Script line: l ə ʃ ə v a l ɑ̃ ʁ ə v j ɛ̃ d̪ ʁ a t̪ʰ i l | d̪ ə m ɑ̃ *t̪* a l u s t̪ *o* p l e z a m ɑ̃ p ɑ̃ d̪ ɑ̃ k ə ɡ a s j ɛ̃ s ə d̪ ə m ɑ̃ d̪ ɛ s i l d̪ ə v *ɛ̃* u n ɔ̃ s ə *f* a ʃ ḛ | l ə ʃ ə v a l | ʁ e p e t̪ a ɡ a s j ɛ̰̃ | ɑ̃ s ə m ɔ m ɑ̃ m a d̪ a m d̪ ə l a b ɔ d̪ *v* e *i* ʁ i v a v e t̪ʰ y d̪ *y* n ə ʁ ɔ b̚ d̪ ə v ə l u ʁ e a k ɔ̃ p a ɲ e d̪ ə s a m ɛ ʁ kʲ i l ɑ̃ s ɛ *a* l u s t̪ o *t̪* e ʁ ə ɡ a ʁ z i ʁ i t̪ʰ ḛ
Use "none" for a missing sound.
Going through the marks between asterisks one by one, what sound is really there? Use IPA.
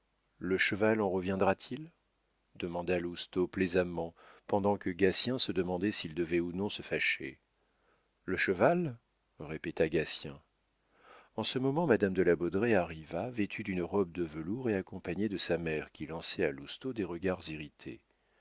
d̪, o, ɛ, f, ʁ, a, y, a, d̪

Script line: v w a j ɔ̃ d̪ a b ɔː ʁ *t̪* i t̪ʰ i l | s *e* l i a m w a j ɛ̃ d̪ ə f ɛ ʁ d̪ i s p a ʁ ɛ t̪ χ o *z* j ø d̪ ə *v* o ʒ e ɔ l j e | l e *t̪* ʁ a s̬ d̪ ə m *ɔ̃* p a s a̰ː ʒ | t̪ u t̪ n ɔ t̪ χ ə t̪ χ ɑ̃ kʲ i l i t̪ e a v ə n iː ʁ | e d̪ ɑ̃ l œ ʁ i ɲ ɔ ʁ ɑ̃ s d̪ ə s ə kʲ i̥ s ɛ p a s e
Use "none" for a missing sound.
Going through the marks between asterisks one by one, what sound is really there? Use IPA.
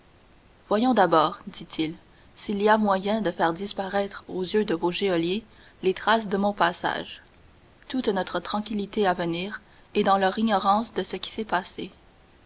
d̪, i, z, v, t̪, ɔ̃

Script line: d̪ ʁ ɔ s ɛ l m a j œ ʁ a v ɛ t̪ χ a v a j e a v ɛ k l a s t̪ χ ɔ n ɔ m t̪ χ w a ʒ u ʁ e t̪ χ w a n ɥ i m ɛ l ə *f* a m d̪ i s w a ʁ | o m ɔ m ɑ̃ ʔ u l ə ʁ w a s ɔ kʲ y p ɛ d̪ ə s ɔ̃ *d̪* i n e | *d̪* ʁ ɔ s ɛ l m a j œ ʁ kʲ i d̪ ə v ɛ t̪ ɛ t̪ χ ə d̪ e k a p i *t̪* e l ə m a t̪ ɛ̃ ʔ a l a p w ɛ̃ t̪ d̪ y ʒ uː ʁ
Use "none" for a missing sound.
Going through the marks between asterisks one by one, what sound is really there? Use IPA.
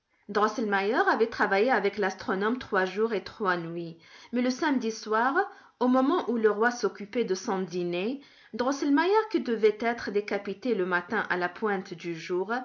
s, d̪, d̪, t̪

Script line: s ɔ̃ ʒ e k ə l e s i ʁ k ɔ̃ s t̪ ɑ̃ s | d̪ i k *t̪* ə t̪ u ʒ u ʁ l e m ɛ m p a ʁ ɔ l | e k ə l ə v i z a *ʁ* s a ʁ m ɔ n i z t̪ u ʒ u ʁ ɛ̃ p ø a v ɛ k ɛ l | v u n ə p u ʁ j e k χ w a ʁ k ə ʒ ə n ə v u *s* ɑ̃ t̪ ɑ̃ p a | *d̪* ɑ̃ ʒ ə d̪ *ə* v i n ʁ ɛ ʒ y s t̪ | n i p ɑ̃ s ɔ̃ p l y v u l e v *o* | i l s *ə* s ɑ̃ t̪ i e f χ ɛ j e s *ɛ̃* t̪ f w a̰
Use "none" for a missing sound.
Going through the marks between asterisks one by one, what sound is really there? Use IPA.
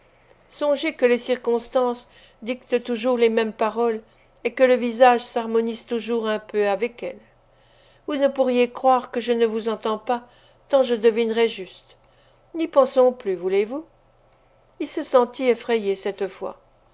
t̪, ʒ, z, t̪, ə, u, ə, ɛ

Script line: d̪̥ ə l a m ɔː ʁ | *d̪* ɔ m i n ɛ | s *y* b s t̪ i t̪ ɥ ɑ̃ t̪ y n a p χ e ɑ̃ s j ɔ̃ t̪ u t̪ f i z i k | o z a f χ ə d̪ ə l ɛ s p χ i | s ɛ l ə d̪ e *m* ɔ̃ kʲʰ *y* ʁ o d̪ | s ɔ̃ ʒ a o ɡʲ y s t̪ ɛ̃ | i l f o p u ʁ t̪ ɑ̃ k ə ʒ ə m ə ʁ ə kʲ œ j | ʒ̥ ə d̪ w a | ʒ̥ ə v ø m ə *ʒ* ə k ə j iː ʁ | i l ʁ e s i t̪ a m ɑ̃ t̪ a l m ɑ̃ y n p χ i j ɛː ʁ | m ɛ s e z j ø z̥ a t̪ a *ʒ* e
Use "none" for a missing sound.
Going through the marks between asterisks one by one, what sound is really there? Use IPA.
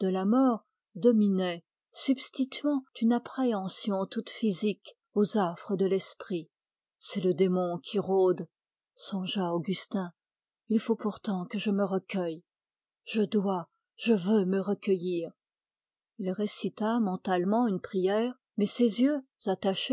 d̪, y, m, i, ʁ, ʃ

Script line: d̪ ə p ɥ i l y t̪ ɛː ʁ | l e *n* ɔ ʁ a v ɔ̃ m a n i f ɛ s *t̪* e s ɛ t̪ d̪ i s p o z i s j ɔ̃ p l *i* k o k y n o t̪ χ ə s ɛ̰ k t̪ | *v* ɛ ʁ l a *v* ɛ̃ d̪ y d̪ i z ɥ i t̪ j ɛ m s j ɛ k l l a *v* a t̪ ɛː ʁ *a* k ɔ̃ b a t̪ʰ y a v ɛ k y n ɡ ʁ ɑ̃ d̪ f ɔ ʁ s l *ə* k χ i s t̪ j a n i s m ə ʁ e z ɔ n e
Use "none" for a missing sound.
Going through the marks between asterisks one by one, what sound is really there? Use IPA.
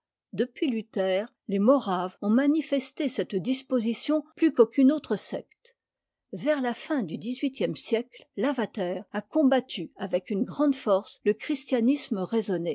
m, t̪, y, v, f, v, a, ə

